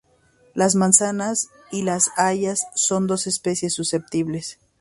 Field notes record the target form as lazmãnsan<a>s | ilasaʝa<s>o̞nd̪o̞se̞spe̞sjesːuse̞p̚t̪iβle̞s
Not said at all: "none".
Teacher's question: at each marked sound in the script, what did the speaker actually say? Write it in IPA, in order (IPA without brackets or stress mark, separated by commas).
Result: a, sː